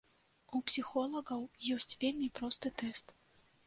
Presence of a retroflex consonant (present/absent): absent